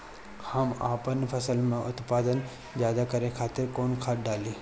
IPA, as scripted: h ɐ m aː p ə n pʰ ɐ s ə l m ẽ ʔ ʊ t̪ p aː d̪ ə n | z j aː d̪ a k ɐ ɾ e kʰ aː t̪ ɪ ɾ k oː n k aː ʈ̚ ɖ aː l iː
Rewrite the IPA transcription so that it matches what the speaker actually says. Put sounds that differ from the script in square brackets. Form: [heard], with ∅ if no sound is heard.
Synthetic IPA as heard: h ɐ m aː p ə n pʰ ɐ s ə l m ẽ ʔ ʊ t̪ p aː d̪ ə n | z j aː d̪ a k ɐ ɾ e kʰ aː t̪ ɪ ɾ k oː n [kʰ] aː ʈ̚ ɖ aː l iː